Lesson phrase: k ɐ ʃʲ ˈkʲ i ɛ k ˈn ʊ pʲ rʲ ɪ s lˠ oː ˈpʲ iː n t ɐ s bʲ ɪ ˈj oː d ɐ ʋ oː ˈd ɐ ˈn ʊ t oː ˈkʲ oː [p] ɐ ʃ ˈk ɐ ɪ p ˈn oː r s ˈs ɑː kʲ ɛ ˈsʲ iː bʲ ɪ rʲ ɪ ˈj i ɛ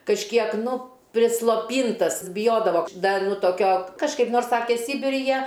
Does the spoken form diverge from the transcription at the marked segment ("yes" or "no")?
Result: yes